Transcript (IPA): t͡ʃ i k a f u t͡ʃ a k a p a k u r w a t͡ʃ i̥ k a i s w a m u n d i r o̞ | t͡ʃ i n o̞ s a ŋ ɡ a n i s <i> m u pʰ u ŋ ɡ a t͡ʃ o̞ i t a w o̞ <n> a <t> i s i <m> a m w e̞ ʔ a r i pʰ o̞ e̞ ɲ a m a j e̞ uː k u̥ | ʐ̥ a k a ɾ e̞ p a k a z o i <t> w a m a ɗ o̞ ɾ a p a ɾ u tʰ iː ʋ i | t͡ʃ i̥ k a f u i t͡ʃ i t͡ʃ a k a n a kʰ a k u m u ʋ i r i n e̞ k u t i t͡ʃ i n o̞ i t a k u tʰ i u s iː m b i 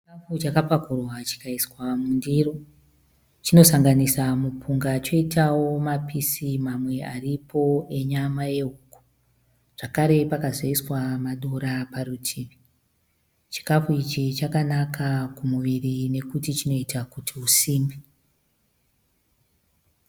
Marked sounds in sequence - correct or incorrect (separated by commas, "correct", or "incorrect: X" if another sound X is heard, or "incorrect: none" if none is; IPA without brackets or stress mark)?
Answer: incorrect: a, incorrect: m, incorrect: p, correct, incorrect: s